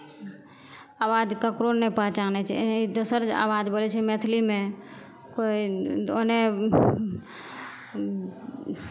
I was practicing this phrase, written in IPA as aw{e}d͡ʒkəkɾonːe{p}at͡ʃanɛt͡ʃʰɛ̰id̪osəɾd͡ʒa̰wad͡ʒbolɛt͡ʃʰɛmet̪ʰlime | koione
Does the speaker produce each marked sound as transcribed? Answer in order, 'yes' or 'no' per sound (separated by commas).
no, yes